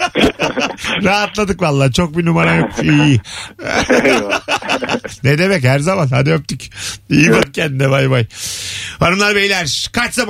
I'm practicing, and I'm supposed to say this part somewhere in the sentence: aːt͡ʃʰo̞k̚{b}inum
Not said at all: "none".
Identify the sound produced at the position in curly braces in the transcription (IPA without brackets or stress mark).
b